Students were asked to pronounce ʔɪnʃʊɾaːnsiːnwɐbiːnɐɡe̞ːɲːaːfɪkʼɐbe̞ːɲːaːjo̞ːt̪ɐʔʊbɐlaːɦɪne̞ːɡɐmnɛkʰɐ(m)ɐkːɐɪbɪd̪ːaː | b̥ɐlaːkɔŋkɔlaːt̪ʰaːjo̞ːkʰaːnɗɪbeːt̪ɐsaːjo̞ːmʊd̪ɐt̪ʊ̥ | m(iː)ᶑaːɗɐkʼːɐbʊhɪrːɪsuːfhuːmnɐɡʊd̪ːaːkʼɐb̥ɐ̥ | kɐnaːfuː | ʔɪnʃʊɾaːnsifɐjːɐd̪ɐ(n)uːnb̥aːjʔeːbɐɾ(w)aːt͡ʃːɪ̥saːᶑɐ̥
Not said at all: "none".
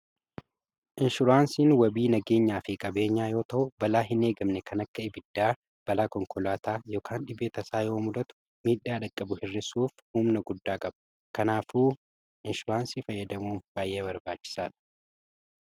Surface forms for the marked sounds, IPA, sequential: n, iː, m, b

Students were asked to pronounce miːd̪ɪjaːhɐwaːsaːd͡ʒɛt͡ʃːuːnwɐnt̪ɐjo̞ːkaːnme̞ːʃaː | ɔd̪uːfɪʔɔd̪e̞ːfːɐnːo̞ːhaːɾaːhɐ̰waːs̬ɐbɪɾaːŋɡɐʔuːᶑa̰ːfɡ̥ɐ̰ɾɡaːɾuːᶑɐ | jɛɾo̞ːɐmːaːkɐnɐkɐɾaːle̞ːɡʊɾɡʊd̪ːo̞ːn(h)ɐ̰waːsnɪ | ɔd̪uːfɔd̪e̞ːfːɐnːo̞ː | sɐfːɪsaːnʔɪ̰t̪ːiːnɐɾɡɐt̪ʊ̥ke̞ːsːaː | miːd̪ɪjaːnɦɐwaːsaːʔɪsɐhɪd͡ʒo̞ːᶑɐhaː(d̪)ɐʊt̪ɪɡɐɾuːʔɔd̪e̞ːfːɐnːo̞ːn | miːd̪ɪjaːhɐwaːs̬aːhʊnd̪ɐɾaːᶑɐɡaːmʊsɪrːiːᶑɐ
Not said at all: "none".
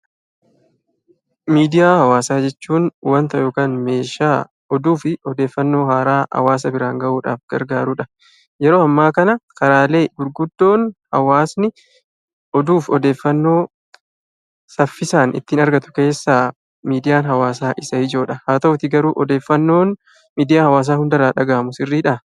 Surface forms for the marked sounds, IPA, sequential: h, t̪

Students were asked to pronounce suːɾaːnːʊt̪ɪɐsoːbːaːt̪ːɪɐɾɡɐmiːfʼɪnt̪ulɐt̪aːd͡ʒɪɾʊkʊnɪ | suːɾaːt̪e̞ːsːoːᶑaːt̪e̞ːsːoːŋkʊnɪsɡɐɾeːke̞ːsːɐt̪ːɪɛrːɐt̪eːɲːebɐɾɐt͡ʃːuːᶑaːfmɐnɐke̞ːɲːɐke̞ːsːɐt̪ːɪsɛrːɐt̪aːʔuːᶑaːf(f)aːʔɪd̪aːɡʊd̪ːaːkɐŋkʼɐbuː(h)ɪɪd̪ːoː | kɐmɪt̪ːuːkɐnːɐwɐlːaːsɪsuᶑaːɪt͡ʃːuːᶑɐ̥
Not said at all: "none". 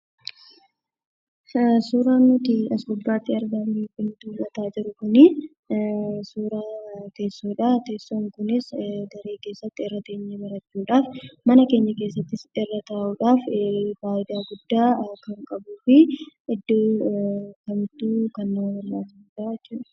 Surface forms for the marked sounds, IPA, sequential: f, f

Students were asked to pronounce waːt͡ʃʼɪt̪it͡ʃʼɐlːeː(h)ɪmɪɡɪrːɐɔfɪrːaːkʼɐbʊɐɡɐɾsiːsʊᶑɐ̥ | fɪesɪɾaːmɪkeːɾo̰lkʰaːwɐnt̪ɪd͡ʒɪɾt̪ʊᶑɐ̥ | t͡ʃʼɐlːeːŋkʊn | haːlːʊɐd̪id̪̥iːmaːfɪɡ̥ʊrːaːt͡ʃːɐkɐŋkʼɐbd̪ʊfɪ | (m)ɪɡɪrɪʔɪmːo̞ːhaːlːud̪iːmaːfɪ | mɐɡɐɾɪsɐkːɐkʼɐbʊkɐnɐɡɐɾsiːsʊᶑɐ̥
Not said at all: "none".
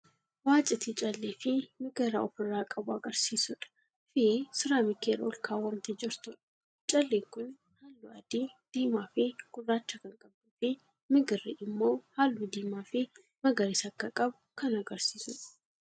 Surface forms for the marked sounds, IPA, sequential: f, m

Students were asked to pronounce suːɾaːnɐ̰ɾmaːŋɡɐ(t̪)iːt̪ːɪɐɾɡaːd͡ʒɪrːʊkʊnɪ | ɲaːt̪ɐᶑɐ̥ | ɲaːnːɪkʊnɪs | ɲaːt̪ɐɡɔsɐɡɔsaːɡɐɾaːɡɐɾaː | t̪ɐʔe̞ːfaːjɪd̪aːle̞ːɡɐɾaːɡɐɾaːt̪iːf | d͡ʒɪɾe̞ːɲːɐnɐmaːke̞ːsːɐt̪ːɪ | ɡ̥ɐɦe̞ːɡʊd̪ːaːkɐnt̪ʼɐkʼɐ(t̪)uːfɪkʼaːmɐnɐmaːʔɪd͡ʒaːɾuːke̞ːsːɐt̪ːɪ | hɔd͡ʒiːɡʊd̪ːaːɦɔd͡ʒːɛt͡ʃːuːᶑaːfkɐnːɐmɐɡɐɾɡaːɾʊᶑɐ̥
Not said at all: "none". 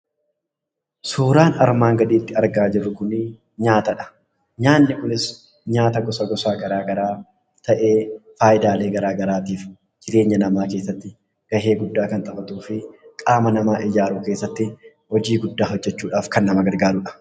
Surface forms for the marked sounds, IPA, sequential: d̪, t̪

